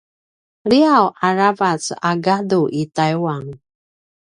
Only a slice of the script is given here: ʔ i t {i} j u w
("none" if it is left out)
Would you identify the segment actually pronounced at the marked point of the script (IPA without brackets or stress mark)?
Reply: a